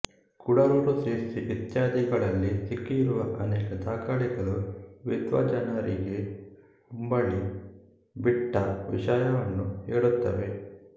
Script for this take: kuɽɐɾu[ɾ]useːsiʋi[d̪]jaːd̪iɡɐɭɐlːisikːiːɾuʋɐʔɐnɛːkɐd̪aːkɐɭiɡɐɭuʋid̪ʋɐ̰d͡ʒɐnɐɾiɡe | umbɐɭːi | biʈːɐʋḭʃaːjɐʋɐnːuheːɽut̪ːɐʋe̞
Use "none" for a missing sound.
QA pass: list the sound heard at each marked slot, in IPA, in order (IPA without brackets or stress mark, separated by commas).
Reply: ɾ, t̪